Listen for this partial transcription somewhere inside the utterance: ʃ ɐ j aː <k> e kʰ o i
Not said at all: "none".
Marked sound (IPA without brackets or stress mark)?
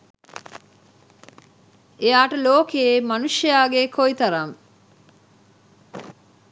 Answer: ɡ